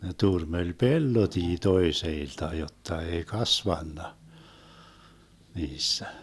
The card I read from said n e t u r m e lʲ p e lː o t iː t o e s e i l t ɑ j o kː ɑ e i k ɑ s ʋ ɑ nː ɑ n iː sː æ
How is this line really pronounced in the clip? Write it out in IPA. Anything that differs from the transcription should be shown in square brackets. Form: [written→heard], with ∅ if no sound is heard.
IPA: n e t u r m e lʲ p e lː o t iː t o e s e i l t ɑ j o [kː→tː] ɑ e i k ɑ s ʋ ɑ nː ɑ n iː sː æ